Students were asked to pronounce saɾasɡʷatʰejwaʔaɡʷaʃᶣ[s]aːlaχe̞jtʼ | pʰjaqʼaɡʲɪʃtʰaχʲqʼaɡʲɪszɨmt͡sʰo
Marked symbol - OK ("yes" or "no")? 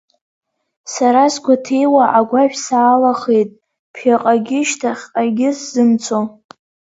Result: yes